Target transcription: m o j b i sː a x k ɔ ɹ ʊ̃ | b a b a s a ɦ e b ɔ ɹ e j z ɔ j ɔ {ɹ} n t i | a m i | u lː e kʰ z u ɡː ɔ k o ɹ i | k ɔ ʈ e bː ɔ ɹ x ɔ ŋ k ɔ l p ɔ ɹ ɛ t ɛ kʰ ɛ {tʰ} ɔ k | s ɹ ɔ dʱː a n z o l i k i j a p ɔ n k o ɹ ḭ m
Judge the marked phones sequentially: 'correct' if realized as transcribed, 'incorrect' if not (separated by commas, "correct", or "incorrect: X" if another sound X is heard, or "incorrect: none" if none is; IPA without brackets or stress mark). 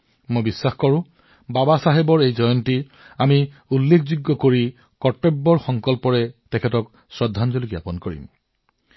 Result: incorrect: none, incorrect: t